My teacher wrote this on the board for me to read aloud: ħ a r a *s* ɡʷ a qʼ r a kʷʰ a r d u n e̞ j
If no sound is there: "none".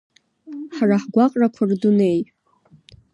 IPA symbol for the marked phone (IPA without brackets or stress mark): ħ